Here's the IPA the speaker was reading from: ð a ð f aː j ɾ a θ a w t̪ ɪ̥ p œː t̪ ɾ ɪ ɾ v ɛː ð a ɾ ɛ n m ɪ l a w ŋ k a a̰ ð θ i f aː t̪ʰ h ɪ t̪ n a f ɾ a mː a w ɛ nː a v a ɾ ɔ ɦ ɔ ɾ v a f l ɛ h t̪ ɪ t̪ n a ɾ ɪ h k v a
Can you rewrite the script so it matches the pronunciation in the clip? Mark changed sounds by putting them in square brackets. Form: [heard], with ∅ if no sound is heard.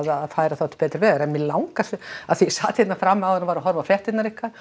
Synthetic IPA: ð a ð f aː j ɾ a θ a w t̪ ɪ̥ p [ɛː] t̪ ɾ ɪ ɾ v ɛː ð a ɾ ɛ n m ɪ l a w ŋ k a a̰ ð θ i [s] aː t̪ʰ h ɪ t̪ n a f ɾ a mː a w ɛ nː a v a ɾ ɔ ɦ ɔ ɾ v a f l ɛ h t̪ ɪ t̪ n a ɾ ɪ h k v a